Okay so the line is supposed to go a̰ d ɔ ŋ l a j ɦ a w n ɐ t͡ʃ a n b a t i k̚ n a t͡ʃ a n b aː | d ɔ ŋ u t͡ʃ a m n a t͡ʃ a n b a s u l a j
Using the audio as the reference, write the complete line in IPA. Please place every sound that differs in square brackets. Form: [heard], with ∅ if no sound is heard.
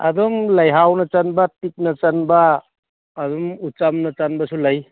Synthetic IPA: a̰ d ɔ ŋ l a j ɦ a w n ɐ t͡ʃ a n b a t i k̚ n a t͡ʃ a n b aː | d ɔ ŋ u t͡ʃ a m n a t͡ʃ a n b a s u l a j